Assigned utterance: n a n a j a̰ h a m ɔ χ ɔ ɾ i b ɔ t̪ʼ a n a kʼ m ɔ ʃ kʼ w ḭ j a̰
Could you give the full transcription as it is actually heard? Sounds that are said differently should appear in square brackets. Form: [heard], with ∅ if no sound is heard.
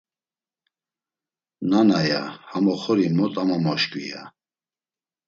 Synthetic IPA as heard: n a n a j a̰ h a m ɔ χ ɔ ɾ i [m] ɔ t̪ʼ a [m] a [∅] m ɔ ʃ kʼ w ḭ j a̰